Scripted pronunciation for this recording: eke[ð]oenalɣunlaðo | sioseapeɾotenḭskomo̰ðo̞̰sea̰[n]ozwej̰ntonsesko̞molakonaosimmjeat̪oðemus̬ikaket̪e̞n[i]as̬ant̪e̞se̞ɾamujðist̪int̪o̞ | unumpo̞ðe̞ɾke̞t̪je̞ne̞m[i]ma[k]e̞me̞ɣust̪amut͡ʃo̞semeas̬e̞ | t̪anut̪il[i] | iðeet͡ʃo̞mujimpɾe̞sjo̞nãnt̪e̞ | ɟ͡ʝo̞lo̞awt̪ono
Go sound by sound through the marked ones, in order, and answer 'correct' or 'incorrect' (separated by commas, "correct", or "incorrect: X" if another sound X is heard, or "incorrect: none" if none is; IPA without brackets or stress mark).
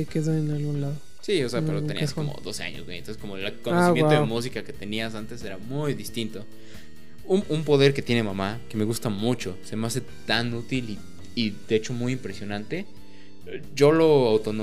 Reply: correct, incorrect: ɲ, correct, incorrect: a, correct, correct